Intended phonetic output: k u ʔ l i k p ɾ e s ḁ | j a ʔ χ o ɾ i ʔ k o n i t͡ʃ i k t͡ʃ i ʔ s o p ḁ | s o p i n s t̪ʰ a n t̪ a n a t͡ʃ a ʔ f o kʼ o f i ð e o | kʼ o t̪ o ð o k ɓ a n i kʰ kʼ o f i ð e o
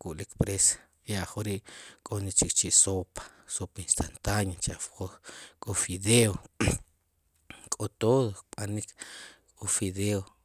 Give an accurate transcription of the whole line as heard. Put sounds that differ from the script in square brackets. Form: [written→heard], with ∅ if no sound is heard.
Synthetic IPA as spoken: k u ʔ l i k p ɾ e s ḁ | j a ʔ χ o ɾ i ʔ [k→kʼ] o n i t͡ʃ i k t͡ʃ i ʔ s o p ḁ | s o p i n s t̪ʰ a n t̪ a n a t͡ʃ a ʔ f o kʼ o f i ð e o | kʼ o t̪ o ð o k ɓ a n i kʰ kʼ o f i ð e o

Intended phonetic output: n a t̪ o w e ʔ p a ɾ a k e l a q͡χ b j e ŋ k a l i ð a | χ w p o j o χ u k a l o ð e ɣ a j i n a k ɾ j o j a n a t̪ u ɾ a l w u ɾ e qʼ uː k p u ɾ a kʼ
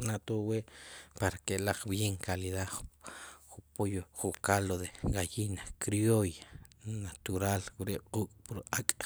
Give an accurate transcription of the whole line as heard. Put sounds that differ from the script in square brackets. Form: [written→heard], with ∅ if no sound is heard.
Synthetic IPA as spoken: n a t̪ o w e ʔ p a ɾ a k e l a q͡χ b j e ŋ k a l i ð a | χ [w→u] p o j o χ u k a l o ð e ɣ a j i n a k ɾ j o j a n a t̪ u ɾ a l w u ɾ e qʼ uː [k→kʼ] p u ɾ a kʼ

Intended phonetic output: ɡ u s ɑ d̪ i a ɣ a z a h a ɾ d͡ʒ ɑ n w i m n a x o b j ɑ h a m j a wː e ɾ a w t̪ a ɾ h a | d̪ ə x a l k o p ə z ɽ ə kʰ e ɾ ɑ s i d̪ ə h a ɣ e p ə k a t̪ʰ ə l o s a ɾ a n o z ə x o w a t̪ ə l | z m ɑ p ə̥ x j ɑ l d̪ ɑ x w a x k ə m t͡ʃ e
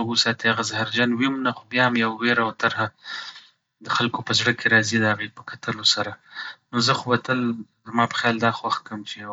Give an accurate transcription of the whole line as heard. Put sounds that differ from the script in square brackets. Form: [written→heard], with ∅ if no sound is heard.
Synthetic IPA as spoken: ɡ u s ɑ [d̪→t̪] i a ɣ a z a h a ɾ d͡ʒ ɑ n w i m n a x o b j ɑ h a m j a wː e ɾ a w t̪ a ɾ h a | d̪ ə x a l k o p ə z ɽ ə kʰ e ɾ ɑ [s→z] i d̪ ə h a ɣ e p ə k a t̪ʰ ə l o s a ɾ a n o z ə x o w a t̪ ə l | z m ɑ p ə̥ x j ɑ l d̪ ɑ x w a x k ə m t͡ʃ e

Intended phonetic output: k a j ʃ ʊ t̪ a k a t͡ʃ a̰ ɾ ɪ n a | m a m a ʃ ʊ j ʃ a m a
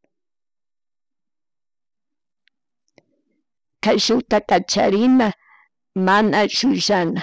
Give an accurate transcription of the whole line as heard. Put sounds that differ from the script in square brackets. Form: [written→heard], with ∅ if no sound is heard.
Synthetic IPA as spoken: k a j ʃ ʊ t̪ a k a t͡ʃ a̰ ɾ ɪ n a | m a [m→n] a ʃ ʊ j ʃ a [m→n] a

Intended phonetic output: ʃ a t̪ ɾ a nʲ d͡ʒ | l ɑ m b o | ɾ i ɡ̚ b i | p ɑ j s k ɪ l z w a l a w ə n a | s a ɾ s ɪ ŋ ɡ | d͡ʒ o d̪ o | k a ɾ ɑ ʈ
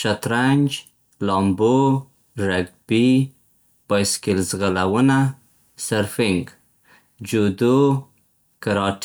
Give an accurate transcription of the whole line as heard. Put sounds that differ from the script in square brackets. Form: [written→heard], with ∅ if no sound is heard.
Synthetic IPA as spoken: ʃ a t̪ ɾ a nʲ d͡ʒ | l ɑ m b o | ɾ [i→a] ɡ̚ b i | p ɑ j s k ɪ l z [w→ɣ] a l a w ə n a | s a ɾ [s→f] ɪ ŋ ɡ | d͡ʒ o d̪ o | k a ɾ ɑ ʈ

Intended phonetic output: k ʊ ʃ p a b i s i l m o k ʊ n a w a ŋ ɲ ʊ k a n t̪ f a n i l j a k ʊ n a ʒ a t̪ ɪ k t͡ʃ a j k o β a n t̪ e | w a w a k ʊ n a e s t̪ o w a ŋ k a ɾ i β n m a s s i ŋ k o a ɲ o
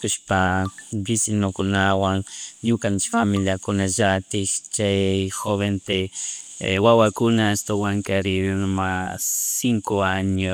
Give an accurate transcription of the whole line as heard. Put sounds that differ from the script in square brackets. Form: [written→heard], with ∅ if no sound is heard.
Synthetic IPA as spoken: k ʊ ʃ p a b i s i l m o k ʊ n a w a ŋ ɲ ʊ k a n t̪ f a [n→m] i l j a k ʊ n a ʒ a t̪ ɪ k t͡ʃ a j [k→x] o β [a→e] n t̪ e | w a w a k ʊ n a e s t̪ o w a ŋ k a ɾ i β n m a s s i ŋ k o a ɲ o

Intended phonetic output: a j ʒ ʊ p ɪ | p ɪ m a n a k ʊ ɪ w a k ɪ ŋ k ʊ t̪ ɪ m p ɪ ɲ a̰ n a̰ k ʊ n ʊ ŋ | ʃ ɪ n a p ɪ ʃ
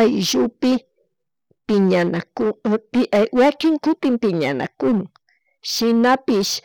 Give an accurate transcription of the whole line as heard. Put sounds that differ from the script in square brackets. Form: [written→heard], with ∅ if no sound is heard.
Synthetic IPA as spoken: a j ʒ ʊ p ɪ | p ɪ [m→ɲ] a n a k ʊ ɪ w a k ɪ ŋ k ʊ t̪ ɪ m p ɪ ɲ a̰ n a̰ k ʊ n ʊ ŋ | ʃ ɪ n a p ɪ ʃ

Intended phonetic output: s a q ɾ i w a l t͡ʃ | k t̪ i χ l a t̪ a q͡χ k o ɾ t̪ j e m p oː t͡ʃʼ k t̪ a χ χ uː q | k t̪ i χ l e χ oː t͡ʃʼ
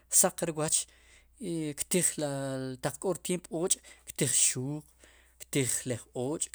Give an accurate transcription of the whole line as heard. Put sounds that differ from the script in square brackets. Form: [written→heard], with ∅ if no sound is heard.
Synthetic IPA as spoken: s a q ɾ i w a [l→∅] t͡ʃ | k t̪ i χ l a t̪ a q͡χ [k→kʼ] o ɾ t̪ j e m p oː t͡ʃʼ k t̪ [a→i] χ [χ→ʃ] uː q | k t̪ i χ l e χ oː t͡ʃʼ

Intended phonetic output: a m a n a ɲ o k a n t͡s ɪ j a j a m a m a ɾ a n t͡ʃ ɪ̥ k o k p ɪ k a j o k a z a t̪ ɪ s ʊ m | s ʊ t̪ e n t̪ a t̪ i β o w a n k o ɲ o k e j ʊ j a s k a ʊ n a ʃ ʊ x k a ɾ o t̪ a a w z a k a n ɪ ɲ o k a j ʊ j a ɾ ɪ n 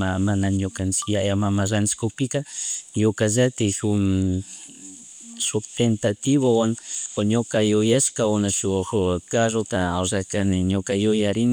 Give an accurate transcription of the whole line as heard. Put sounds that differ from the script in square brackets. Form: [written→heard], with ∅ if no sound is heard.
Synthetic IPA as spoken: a m a n a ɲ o k a n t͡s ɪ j a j a m a m a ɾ a n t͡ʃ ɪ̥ k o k p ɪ k a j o k a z a t̪ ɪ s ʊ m | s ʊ t̪ e n t̪ a t̪ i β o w a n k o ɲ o k [e→a] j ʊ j a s k a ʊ n a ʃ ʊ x k a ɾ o t̪ a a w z a k a n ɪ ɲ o k a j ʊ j a ɾ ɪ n

